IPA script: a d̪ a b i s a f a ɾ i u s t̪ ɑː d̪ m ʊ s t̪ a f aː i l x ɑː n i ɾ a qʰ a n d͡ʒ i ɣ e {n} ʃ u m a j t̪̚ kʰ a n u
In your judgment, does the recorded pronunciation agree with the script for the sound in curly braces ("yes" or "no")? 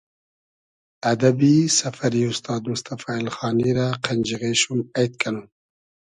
no